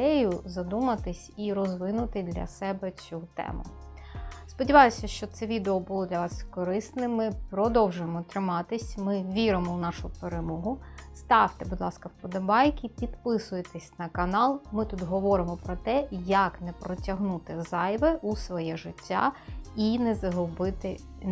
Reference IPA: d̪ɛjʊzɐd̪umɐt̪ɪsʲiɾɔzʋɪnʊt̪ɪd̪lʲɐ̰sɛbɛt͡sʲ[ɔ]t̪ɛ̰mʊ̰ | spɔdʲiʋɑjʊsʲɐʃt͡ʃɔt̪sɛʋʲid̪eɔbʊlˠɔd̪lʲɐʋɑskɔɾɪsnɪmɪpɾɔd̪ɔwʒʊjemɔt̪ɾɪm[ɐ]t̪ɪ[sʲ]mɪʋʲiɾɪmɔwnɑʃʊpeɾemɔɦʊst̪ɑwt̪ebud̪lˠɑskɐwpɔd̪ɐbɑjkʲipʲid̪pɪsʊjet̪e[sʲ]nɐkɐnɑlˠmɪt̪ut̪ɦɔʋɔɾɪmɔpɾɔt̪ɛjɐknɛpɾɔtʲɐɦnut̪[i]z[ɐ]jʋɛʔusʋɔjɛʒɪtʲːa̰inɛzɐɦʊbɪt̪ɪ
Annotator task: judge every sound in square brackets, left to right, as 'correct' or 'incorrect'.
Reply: incorrect: u, incorrect: ɑ, correct, correct, incorrect: ɪ, incorrect: ɑ

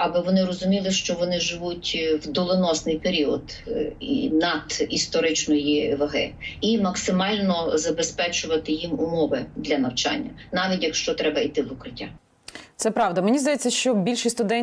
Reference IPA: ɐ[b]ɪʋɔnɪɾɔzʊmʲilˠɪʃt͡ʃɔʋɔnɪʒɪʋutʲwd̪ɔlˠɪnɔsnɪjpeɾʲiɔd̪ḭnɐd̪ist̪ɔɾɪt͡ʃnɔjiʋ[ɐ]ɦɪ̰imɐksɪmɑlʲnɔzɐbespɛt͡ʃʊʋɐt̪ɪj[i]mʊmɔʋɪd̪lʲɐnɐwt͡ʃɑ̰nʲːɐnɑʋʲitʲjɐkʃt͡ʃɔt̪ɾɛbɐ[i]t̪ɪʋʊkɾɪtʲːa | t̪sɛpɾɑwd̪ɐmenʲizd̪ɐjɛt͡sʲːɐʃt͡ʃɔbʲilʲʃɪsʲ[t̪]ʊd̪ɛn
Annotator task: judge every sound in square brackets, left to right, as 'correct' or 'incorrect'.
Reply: correct, correct, correct, correct, correct

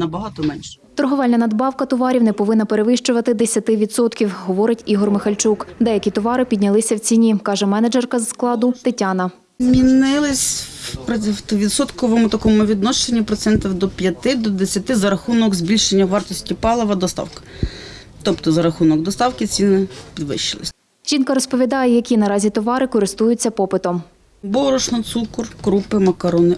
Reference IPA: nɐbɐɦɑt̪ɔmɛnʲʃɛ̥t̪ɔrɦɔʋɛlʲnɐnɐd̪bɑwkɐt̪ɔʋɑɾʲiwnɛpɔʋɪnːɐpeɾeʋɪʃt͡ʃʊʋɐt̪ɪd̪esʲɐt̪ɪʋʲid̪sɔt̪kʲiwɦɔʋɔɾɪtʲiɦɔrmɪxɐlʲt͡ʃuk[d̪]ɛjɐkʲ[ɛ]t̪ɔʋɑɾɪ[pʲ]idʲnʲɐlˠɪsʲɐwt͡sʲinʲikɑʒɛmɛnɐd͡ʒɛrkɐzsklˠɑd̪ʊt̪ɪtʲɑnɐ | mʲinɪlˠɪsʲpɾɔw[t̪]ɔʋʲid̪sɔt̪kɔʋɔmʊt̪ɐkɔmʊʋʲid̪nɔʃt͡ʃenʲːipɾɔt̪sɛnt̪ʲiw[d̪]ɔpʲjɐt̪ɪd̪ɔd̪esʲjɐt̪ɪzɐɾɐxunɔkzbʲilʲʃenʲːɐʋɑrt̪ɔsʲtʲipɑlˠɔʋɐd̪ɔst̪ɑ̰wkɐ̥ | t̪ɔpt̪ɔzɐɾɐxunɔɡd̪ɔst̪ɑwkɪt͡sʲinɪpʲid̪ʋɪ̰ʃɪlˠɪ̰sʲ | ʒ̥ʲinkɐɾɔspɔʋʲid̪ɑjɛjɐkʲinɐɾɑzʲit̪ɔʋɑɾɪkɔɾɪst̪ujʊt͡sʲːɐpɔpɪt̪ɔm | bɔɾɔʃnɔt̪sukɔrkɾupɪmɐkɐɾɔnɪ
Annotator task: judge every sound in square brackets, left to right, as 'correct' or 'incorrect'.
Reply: correct, incorrect: i, correct, correct, correct

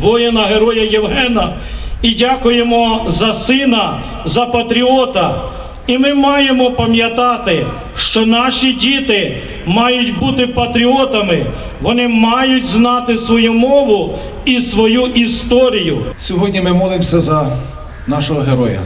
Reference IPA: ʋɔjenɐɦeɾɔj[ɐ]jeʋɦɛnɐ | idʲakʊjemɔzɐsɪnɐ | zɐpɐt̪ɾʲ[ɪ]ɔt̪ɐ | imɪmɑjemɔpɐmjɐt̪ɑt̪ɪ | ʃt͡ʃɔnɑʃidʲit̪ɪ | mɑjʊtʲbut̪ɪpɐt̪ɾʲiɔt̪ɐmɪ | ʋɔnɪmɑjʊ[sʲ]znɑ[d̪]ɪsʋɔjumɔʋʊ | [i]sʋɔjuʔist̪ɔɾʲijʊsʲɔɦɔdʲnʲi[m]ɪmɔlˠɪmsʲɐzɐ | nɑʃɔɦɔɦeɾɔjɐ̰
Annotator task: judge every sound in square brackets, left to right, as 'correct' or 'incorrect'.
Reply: correct, incorrect: i, incorrect: tʲ, incorrect: t̪, correct, correct

